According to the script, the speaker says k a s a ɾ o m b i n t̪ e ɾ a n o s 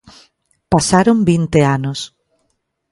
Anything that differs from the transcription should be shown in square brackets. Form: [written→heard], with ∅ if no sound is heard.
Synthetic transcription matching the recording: [k→p] a s a ɾ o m b i n t̪ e [ɾ→∅] a n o s